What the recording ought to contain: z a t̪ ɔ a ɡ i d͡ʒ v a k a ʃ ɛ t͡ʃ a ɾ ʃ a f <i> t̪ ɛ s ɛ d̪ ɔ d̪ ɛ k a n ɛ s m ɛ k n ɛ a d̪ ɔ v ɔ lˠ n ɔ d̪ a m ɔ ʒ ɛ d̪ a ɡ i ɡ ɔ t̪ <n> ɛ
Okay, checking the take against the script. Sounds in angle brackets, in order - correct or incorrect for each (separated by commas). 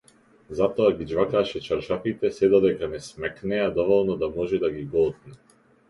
correct, correct